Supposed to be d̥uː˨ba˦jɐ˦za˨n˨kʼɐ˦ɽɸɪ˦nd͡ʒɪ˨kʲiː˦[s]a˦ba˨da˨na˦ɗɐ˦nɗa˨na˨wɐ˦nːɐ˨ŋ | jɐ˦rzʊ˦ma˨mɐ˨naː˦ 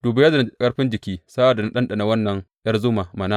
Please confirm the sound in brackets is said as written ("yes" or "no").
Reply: yes